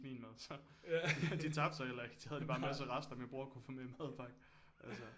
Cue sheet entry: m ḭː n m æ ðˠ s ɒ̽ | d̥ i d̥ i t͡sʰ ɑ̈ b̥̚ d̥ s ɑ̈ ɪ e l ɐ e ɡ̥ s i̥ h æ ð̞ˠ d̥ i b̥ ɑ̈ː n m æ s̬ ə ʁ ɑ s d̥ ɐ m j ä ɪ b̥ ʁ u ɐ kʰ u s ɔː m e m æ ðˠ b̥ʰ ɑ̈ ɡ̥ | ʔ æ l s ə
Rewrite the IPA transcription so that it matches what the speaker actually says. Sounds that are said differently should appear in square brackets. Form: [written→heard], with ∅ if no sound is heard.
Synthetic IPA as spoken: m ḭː n m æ ðˠ s ɒ̽ | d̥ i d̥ i t͡sʰ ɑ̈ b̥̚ d̥ s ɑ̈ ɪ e l ɐ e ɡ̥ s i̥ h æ ð̞ˠ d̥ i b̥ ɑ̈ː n m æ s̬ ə ʁ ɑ s d̥ ɐ m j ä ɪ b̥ ʁ u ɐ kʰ u [s→f] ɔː m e m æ ðˠ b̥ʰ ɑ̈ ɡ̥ | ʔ æ l s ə